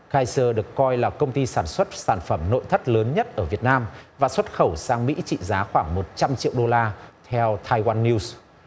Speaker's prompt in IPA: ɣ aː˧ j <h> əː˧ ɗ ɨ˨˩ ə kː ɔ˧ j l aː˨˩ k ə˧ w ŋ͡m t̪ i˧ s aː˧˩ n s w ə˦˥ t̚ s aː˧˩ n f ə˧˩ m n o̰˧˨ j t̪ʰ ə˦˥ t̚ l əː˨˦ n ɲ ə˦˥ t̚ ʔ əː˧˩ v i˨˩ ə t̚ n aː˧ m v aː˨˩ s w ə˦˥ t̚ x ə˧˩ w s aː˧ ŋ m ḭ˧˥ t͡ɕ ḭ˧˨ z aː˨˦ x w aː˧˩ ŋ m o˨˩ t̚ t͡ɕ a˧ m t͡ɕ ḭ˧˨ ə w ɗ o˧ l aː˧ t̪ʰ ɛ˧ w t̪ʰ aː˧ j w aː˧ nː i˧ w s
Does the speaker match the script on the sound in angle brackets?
no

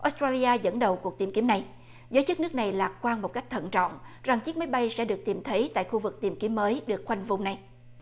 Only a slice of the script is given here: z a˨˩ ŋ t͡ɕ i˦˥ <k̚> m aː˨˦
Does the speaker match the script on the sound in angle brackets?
yes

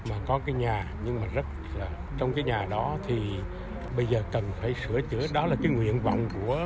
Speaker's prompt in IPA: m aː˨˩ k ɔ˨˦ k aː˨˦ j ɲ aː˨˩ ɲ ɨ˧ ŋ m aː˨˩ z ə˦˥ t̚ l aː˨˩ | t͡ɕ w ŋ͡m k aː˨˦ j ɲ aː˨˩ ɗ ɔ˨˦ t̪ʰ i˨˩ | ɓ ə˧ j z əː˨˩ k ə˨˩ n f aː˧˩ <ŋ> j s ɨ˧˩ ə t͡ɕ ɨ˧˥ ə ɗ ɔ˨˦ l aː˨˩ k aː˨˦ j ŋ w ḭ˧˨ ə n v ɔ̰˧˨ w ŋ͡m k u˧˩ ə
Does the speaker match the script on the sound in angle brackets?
no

